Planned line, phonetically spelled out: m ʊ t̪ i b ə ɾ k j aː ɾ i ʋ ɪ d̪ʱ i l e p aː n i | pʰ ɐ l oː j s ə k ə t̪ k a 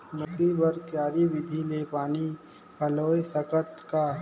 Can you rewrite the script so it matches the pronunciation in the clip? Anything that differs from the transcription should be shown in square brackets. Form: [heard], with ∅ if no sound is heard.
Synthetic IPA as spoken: m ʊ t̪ i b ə ɾ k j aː ɾ i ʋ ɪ d̪ʱ i l e p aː n i | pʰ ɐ l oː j s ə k ə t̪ k a